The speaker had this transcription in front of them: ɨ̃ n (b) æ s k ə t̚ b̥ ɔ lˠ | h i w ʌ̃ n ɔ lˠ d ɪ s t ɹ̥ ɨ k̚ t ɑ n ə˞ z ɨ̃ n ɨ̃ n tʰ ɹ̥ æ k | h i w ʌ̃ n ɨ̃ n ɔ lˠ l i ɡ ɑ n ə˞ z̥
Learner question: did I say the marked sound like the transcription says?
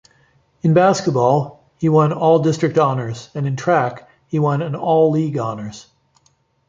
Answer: yes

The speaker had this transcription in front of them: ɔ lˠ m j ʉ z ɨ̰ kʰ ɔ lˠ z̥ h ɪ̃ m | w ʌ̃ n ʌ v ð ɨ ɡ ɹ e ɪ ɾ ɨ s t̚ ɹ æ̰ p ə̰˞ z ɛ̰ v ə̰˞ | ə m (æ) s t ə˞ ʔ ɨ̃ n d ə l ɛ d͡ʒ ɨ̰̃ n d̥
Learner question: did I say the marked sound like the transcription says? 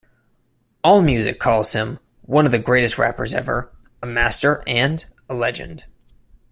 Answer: yes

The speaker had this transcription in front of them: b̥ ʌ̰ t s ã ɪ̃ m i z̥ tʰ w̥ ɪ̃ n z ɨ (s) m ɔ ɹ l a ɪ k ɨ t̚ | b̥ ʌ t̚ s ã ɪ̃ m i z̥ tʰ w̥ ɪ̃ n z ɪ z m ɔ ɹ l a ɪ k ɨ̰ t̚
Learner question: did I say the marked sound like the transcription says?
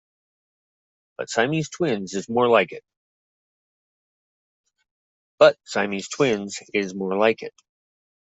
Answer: no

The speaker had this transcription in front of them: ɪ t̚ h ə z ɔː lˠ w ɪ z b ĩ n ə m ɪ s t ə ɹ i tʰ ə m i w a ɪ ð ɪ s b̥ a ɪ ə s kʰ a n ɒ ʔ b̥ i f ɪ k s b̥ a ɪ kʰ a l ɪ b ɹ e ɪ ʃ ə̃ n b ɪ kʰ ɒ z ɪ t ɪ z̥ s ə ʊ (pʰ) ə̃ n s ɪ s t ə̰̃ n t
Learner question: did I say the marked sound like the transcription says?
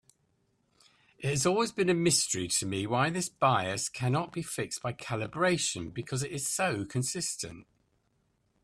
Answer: no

